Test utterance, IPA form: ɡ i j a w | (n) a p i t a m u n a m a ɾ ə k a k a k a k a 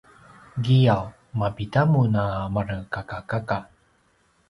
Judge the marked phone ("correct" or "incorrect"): incorrect